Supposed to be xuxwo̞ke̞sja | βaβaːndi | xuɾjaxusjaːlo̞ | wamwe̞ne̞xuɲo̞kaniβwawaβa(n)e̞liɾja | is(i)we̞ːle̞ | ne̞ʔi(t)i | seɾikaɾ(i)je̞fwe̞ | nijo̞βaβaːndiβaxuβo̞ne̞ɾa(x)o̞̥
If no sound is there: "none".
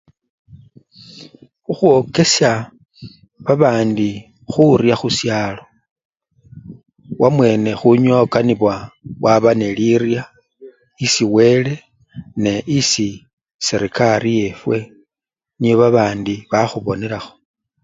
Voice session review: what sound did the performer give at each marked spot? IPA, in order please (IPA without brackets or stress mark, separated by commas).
n, i, s, i, x